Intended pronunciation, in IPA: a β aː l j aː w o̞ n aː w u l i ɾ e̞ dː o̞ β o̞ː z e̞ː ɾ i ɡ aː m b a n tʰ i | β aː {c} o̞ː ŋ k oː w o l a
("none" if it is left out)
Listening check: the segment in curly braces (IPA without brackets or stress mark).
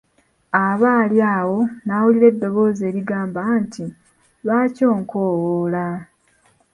c